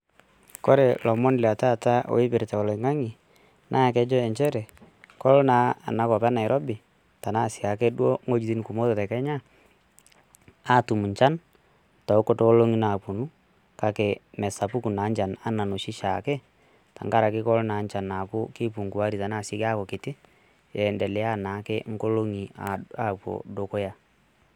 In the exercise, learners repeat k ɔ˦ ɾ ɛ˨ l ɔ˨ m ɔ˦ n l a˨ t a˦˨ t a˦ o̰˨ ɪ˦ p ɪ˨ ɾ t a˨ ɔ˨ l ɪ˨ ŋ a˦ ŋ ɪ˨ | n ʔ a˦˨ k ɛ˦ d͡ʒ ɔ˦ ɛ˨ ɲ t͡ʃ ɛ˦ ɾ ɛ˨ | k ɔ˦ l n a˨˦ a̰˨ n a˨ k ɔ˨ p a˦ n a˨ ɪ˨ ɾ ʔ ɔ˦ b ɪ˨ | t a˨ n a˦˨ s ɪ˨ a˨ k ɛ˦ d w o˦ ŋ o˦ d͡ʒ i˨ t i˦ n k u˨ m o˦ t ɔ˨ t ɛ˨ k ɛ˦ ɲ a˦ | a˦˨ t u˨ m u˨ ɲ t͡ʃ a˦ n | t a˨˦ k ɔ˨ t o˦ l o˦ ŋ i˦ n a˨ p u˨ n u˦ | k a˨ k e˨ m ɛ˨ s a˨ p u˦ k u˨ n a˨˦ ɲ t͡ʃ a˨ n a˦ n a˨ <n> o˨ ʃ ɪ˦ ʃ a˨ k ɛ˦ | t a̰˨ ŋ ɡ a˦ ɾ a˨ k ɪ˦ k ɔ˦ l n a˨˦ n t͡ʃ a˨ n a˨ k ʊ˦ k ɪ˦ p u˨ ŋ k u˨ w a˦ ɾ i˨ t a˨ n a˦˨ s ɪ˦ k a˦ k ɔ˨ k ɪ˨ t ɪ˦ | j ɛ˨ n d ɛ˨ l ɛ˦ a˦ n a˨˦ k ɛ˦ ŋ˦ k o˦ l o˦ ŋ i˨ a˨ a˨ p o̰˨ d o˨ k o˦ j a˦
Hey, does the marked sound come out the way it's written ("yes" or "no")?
yes